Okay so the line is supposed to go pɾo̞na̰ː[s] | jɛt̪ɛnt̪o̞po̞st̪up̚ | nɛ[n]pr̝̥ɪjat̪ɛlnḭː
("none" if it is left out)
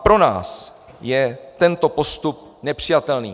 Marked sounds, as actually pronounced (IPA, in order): s, none

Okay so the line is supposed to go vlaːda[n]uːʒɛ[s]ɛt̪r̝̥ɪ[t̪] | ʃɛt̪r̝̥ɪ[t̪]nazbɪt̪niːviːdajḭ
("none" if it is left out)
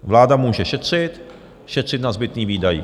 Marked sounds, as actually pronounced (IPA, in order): m, ʃ, t̪, t̪

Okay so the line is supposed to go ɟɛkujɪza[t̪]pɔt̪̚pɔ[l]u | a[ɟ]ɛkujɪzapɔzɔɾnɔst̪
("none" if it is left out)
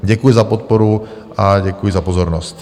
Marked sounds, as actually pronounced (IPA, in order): none, ɾ, ɟ

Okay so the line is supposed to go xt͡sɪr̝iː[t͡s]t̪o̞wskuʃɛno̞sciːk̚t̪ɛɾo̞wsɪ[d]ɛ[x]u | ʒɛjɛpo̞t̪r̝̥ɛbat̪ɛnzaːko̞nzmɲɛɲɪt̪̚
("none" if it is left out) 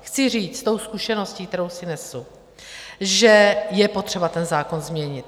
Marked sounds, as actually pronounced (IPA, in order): t͡s, n, s

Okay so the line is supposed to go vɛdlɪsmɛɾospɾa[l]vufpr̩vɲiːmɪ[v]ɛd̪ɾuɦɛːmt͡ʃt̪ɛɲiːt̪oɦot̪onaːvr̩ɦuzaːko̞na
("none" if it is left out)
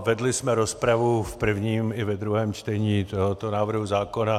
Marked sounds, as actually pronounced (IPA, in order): none, v

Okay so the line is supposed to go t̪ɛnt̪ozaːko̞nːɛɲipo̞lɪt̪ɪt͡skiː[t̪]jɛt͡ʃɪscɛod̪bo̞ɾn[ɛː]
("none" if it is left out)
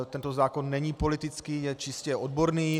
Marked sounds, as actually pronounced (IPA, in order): none, iː

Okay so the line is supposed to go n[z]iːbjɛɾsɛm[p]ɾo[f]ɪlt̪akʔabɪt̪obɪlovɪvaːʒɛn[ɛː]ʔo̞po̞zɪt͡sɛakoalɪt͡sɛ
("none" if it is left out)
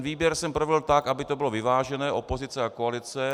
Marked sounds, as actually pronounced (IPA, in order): v, p, v, ɛː

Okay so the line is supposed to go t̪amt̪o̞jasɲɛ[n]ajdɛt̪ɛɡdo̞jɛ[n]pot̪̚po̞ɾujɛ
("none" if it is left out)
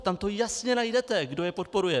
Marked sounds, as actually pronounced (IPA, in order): n, none

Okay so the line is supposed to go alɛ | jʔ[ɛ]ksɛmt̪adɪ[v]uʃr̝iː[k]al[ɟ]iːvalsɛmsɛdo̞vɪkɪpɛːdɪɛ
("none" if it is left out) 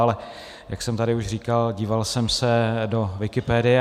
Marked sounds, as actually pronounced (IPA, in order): a, none, k, ɟ

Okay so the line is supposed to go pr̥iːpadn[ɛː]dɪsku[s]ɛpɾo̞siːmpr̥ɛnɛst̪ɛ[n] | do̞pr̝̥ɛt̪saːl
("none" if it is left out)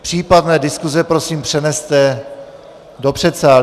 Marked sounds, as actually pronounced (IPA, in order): ɛː, z, none

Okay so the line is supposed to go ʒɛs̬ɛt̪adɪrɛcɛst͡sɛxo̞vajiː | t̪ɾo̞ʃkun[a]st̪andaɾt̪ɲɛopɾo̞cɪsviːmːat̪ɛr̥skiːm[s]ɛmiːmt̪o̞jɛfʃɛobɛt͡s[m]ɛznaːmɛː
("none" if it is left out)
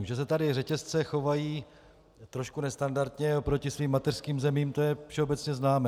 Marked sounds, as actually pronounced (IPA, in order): ɛ, z, ɲ

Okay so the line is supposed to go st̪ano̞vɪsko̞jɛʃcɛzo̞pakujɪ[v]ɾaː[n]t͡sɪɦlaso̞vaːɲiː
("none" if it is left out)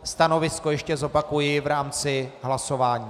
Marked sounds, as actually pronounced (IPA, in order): v, m

